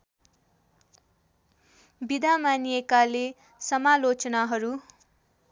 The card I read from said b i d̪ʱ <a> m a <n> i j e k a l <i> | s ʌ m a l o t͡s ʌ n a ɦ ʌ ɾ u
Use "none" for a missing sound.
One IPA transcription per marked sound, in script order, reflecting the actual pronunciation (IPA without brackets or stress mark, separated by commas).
a, n, e